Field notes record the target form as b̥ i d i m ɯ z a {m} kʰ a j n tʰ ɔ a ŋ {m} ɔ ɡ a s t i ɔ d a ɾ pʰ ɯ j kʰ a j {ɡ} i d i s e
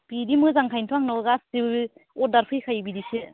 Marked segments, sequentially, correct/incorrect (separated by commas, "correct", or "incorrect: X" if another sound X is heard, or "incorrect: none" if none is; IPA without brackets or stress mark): incorrect: ŋ, incorrect: n, incorrect: b